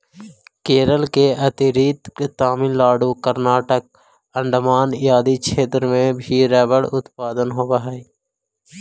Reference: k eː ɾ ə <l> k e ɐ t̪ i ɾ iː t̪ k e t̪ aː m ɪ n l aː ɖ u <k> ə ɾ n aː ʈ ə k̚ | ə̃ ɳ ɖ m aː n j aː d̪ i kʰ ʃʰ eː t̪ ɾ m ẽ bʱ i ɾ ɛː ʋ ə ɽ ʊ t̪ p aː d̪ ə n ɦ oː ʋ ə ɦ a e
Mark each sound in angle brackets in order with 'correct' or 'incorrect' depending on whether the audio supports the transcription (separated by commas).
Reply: correct, correct